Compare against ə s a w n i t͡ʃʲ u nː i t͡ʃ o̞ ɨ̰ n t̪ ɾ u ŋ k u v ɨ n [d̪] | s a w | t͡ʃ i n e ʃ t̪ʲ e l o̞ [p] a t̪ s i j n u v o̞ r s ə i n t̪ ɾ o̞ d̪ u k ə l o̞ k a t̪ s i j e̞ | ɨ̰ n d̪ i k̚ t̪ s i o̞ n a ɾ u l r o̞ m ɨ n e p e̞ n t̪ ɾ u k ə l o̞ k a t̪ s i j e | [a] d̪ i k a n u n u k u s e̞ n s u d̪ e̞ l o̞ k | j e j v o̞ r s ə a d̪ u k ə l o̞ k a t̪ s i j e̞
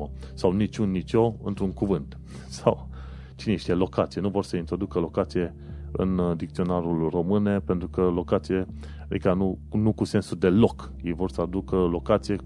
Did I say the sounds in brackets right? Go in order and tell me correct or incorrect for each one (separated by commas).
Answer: incorrect, incorrect, correct